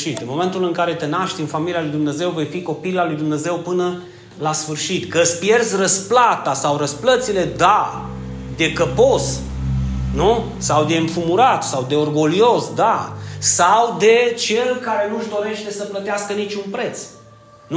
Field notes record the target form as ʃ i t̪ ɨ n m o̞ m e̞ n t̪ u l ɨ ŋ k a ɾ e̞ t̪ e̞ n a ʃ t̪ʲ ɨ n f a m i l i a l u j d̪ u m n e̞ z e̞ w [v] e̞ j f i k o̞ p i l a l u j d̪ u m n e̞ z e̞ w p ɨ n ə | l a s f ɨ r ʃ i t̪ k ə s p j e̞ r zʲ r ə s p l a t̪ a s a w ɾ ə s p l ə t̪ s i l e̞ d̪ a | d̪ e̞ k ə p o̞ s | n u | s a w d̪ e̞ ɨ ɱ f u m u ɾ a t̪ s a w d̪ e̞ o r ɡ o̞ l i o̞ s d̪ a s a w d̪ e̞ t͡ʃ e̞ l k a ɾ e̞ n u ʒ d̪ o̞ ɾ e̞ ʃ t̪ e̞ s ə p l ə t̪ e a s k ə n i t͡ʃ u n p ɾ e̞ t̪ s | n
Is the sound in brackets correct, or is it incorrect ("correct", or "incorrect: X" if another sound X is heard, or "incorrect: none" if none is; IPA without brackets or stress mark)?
correct